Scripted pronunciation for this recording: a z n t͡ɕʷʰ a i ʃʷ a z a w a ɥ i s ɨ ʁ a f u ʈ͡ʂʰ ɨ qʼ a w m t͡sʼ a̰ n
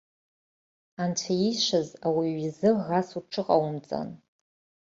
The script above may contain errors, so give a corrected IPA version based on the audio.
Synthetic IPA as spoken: a n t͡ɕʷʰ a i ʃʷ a z a w i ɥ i z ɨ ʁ a s u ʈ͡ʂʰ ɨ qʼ a w m t͡sʼ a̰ n